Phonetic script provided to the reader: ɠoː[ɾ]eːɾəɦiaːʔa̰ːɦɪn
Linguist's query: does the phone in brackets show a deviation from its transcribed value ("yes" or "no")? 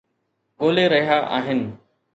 yes